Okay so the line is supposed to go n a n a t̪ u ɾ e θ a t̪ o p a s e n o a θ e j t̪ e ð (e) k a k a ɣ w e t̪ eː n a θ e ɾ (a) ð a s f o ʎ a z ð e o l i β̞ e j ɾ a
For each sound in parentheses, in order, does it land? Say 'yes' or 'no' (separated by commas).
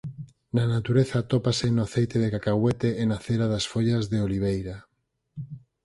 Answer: yes, yes